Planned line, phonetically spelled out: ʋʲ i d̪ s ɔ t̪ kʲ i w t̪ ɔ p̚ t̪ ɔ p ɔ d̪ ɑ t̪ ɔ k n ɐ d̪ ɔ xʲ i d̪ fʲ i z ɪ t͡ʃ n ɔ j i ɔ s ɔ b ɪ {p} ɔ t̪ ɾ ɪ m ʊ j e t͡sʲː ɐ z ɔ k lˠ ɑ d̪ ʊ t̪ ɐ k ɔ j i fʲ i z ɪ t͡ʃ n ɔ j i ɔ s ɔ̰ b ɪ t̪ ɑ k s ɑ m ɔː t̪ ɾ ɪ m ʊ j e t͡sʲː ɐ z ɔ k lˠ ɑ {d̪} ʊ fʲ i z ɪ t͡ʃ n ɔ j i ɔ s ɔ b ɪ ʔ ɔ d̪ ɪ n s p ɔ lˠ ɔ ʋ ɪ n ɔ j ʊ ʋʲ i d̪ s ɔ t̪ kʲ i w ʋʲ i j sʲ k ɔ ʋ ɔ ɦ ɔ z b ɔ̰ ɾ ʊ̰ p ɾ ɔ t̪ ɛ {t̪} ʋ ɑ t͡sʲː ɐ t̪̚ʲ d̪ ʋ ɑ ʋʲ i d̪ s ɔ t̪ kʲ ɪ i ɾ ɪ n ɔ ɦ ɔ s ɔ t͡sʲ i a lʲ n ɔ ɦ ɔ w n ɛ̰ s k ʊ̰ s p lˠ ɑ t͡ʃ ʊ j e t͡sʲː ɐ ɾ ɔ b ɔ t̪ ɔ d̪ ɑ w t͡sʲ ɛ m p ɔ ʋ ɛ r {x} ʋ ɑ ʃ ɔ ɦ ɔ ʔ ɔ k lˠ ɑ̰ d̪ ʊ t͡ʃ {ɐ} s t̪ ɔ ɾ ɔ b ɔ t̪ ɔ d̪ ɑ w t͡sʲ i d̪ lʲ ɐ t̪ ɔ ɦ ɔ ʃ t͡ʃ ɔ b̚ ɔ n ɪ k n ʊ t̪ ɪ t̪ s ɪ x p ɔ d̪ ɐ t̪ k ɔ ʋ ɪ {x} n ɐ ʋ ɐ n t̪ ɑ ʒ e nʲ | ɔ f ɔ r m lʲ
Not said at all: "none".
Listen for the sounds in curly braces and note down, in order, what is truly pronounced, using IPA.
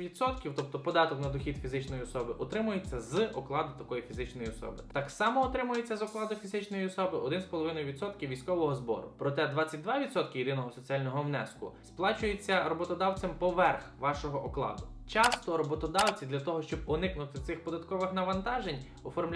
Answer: ʔ, d̪, d̪, x, ɑ, x

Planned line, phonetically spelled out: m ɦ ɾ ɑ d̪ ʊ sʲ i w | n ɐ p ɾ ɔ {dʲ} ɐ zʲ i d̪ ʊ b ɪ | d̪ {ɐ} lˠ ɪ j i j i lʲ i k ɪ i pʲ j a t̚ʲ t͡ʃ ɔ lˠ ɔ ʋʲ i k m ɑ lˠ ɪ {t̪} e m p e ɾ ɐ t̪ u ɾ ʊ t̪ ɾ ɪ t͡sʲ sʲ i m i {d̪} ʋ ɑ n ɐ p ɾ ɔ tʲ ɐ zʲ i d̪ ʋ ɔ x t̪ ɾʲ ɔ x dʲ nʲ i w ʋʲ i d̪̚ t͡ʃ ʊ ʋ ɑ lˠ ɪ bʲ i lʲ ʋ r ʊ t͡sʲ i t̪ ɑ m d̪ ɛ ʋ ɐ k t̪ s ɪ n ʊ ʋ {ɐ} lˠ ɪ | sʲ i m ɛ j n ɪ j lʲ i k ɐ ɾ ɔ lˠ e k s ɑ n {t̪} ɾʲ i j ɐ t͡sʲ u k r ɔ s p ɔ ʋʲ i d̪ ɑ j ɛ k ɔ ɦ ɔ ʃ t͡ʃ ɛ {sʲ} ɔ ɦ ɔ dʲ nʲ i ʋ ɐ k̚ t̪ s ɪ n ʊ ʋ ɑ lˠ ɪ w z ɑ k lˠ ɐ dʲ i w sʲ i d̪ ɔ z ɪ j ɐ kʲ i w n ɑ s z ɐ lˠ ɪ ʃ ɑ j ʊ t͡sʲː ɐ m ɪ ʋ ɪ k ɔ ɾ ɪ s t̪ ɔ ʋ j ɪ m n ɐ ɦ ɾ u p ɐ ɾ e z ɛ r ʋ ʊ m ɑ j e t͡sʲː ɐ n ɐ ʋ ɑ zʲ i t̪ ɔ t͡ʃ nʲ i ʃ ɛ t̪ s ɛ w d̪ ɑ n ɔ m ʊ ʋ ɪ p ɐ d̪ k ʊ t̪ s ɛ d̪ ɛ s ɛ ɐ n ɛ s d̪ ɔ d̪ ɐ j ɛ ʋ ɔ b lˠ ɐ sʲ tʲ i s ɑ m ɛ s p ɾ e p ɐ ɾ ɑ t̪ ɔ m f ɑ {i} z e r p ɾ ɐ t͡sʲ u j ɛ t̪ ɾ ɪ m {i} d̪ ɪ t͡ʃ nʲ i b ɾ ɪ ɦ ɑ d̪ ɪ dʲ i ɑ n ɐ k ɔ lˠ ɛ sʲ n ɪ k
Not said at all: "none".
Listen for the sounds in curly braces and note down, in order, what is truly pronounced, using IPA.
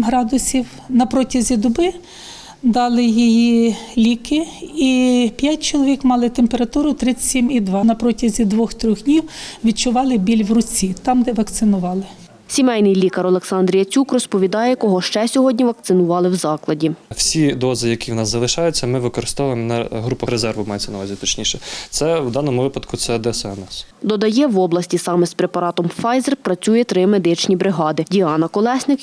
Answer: tʲ, ɑ, t̪, d̪, ɑ, d̪, sʲ, j, e

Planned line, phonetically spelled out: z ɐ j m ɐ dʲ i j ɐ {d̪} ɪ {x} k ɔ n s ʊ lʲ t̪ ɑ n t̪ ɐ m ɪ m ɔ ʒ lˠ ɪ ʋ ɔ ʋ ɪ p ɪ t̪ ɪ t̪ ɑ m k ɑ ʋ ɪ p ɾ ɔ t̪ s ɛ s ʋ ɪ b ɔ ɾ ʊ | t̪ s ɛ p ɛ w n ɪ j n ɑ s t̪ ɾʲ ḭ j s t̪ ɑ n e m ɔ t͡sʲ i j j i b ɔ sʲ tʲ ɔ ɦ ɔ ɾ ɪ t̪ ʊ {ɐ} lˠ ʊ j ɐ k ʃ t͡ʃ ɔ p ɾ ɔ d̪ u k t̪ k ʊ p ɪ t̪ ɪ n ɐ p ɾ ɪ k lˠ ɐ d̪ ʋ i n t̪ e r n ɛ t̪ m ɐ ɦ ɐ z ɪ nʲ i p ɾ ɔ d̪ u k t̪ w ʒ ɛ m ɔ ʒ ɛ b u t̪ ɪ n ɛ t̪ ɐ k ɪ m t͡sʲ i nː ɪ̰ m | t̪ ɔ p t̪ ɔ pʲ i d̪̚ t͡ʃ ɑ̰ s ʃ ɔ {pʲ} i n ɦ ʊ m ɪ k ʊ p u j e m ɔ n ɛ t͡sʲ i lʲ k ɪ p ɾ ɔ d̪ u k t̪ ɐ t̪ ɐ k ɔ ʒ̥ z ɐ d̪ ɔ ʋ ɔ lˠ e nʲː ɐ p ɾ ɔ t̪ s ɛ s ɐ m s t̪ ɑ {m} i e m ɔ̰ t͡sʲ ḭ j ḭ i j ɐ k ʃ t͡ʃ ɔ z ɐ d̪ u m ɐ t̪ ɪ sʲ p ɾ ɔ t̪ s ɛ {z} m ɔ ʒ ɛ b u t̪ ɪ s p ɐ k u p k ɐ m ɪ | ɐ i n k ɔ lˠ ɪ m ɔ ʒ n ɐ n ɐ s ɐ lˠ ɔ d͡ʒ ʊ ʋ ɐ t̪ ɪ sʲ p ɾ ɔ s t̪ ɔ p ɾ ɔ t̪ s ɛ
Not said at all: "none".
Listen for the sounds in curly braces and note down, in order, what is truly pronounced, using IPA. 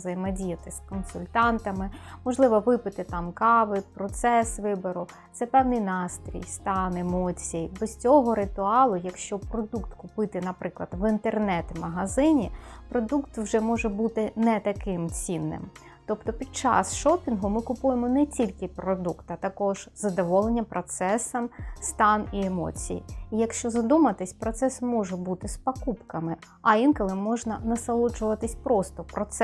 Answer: t̪, s, ɑ, pʲ, n, s

